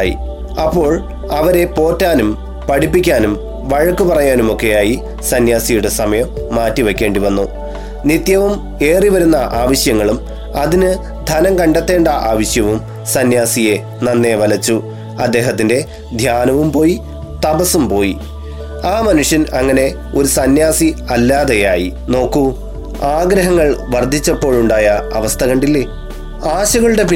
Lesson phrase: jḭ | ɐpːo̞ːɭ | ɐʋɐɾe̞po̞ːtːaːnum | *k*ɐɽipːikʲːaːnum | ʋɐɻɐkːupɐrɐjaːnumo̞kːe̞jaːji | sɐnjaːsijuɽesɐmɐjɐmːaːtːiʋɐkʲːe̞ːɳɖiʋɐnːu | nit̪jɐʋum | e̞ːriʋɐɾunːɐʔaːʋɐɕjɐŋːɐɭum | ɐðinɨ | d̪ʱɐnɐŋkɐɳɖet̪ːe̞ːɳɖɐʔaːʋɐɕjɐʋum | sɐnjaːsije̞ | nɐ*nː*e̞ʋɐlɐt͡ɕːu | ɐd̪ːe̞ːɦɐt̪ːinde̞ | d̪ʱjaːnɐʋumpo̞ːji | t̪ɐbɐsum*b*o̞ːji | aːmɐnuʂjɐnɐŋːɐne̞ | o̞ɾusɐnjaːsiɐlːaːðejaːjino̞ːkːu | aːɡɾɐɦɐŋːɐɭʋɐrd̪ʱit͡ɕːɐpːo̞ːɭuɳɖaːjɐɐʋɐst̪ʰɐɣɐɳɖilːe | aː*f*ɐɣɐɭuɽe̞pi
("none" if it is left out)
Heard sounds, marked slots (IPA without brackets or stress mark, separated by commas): p, nː, p, ɕ